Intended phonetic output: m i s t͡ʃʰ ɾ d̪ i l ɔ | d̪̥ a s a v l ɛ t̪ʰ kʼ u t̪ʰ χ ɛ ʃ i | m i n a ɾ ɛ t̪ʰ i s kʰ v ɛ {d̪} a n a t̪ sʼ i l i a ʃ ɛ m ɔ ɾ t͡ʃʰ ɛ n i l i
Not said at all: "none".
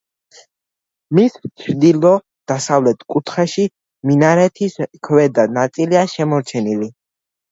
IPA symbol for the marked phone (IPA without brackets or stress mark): d̪